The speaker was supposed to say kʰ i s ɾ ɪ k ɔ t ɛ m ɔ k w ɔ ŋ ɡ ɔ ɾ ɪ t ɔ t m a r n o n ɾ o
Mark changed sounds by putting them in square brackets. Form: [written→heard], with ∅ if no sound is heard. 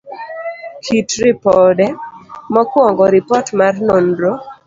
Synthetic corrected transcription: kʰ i [s→t] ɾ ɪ [k→p] ɔ [t→d] ɛ m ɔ k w ɔ ŋ ɡ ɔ ɾ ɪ [t→p] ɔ t m a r n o n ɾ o